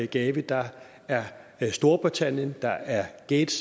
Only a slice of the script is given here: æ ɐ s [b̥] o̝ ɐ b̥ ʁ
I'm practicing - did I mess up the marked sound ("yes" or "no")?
yes